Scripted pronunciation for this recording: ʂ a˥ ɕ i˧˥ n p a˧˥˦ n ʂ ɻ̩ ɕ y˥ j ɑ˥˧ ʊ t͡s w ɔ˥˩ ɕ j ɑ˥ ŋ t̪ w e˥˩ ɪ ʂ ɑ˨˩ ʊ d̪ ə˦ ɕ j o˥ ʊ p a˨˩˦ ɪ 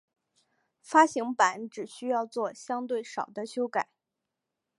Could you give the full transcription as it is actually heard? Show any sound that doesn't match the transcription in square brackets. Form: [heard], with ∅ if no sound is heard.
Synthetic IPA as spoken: [f] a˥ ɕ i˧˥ [ŋ] p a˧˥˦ n [ʈ͡ʂ] ɻ̩ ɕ y˥ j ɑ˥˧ ʊ t͡s w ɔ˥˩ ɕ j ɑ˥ ŋ t̪ w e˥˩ ɪ ʂ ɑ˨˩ ʊ d̪ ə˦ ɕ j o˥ ʊ [k] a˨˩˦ ɪ